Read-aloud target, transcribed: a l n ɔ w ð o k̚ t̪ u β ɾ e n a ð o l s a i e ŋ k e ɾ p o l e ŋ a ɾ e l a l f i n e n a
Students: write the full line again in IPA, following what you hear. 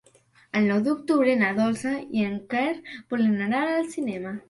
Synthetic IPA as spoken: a l n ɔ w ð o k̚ t̪ u β ɾ e n a ð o l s a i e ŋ k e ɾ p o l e n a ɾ a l a l s i n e m a